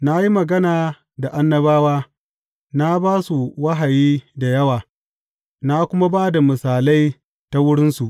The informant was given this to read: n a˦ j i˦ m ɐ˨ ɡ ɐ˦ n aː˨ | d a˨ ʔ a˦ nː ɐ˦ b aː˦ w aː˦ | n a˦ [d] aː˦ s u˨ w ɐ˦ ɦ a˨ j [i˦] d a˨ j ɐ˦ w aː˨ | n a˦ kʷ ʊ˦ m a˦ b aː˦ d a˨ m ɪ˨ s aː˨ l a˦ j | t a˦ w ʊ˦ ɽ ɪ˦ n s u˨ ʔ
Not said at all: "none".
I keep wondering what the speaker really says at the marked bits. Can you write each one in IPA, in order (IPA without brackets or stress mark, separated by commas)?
b, iː˦